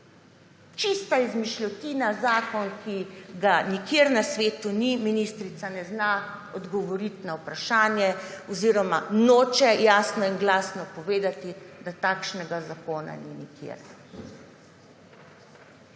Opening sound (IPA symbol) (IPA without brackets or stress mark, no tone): t͡ʃ